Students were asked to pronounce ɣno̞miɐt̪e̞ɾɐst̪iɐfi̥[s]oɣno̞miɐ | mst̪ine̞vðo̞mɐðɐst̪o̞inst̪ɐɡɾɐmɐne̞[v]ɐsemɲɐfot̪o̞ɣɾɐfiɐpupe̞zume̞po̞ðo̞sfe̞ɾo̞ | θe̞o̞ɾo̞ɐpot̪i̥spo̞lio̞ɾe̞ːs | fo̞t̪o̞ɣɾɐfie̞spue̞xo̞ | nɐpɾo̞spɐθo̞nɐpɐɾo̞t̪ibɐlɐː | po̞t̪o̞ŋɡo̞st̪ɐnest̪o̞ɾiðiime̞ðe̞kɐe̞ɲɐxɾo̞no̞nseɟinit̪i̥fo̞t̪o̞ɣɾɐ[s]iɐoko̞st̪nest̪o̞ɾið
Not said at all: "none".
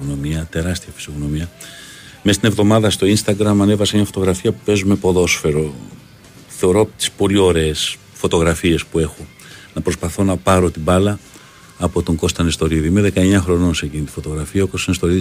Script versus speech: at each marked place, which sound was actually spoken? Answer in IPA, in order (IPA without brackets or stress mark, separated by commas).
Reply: s, v, f